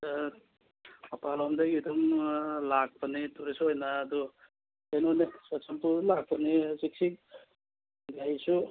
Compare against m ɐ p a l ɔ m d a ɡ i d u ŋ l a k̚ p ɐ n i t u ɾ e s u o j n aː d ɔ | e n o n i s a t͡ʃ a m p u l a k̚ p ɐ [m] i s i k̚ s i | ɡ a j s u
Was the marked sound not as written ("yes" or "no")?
yes